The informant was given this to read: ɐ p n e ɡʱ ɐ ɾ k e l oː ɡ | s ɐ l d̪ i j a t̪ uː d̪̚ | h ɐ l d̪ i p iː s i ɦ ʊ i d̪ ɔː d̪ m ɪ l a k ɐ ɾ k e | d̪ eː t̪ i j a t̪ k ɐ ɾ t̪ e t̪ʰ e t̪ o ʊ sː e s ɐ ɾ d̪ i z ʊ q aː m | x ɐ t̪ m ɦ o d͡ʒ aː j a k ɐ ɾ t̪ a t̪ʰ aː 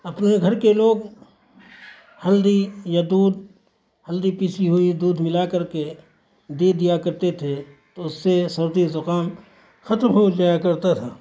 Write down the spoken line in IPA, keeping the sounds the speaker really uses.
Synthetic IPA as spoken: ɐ p n e ɡʱ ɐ ɾ k e l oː ɡ | h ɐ l d̪ i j a d̪ uː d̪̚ | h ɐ l d̪ i p iː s i ɦ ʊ i d̪ uː d̪ m ɪ l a k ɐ ɾ k e | d̪ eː d̪ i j a k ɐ ɾ t̪ e t̪ʰ e t̪ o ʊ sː e s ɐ ɾ d̪ i z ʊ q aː m | x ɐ t̪ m ɦ o d͡ʒ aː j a k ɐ ɾ t̪ a t̪ʰ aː

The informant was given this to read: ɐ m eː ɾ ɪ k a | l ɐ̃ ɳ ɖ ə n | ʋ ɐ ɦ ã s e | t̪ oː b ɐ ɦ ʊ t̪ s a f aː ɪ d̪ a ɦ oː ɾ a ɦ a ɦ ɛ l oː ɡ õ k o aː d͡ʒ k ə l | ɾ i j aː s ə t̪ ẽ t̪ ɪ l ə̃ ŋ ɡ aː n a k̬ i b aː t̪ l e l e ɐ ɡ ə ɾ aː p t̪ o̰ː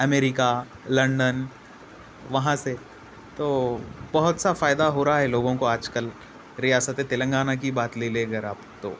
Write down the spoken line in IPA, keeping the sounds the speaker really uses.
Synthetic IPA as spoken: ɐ m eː ɾ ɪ k a | l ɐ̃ ɳ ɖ ə n | ʋ ɐ ɦ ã s e | t̪ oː b ɐ ɦ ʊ t̪ s a f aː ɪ d̪ a ɦ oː ɾ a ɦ a ɦ ɛ l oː ɡ õ k o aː d͡ʒ k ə l | ɾ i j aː s ə t̪ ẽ t̪ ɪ l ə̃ ŋ ɡ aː n a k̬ i b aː t̪ l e l e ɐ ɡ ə ɾ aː p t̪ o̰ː

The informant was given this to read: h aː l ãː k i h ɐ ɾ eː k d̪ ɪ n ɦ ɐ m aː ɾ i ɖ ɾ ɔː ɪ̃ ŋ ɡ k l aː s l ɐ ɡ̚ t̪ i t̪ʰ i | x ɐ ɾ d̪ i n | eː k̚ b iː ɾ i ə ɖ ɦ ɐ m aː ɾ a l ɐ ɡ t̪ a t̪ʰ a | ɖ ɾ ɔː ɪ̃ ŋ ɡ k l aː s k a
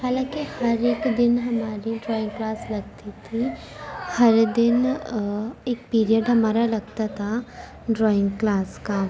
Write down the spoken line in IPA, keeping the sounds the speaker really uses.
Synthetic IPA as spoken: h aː l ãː k i h ɐ ɾ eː k d̪ ɪ n ɦ ɐ m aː ɾ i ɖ ɾ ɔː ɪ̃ ŋ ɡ k l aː s l ɐ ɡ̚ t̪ i t̪ʰ i | h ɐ ɾ d̪ ɪ n | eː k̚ p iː ɾ i ə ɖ ɦ ɐ m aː ɾ a l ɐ ɡ t̪ a t̪ʰ a | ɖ ɾ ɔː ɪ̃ ŋ ɡ k l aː s k a

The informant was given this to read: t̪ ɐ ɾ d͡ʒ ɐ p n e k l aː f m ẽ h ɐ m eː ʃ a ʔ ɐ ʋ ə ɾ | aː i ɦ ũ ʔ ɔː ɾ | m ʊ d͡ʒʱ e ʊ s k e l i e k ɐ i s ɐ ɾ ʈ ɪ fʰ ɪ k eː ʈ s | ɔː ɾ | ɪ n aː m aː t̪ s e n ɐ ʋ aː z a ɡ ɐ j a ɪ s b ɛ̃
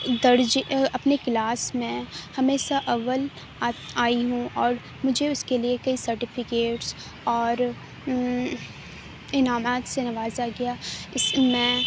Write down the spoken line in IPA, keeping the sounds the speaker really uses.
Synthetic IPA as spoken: d̪ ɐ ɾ d͡ʒ ɐ p n e k l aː s m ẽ h ɐ m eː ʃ a ʔ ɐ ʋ ə l | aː i ɦ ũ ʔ ɔː ɾ | m ʊ d͡ʒʱ e ʊ s k e l i e k ɐ i s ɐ ɾ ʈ ɪ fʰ ɪ k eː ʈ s | ɔː ɾ | ɪ n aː m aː t̪ s e n ɐ ʋ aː z a ɡ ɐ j a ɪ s m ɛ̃

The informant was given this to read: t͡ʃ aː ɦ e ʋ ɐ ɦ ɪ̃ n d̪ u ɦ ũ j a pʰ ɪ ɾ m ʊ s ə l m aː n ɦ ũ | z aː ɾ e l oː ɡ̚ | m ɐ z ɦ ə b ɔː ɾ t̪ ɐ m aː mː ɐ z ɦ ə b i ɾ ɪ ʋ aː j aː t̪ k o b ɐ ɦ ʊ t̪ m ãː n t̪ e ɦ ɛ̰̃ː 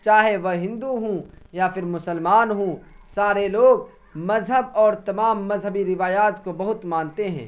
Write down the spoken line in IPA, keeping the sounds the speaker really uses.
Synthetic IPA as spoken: t͡ʃ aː ɦ e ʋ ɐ ɦ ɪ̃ n d̪ u ɦ ũ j a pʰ ɪ ɾ m ʊ s ə l m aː n ɦ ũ | s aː ɾ e l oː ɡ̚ | m ɐ z ɦ ə b ɔː ɾ t̪ ɐ m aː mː ɐ z ɦ ə b i ɾ ɪ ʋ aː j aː t̪ k o b ɐ ɦ ʊ t̪ m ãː n t̪ e ɦ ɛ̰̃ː

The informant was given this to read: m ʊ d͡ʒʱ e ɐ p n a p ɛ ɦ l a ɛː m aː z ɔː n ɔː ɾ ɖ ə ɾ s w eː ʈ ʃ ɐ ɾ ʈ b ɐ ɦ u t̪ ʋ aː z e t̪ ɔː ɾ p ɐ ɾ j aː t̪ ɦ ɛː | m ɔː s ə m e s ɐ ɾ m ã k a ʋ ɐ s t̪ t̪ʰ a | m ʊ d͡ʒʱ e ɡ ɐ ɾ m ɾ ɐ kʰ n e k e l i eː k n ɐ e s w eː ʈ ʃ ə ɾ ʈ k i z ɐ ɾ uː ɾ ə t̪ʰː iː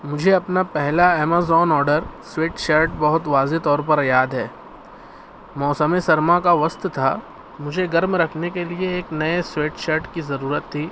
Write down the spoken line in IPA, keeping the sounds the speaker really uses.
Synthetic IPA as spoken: m ʊ d͡ʒʱ e ɐ p n a p ɛ ɦ l a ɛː m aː z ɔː n ɔː ɾ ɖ ə ɾ s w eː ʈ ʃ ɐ ɾ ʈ b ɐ ɦ ʊ t̪ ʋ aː z e t̪ ɔː ɾ p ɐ ɾ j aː d̪ ɦ ɛː | m ɔː s ə m e s ɐ ɾ m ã k a ʋ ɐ s t̪ t̪ʰ a | m ʊ d͡ʒʱ e ɡ ɐ ɾ m ɾ ɐ kʰ n e k e l i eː k n ɐ e s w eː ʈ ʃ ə ɾ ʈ k i z ɐ ɾ uː ɾ ə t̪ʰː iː

